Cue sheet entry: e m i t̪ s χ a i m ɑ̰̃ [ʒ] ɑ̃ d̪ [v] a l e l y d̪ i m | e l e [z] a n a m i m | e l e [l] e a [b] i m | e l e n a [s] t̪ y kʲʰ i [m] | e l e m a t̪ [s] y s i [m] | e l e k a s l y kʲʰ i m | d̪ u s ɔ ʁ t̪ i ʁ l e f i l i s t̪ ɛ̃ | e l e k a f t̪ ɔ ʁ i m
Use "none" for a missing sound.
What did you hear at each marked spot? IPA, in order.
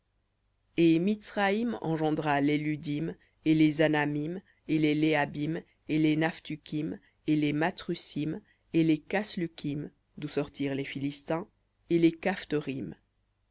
ʒ, ʁ, z, l, b, f, m, χ, m

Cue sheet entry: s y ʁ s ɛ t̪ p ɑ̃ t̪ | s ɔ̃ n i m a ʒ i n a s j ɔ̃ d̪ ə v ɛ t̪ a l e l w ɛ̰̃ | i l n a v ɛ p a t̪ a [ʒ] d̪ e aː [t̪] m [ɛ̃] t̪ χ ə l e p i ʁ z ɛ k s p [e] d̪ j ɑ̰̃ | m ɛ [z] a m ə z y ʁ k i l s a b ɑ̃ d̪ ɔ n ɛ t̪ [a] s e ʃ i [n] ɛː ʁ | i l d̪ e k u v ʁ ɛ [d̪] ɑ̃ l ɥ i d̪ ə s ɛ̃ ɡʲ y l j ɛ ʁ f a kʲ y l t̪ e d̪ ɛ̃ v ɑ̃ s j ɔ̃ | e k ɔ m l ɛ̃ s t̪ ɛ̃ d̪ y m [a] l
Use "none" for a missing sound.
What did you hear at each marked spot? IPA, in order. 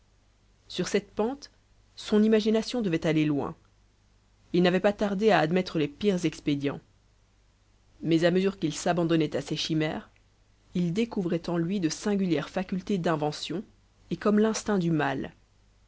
ʁ, d̪, ɛ, e, z, a, m, t̪, a

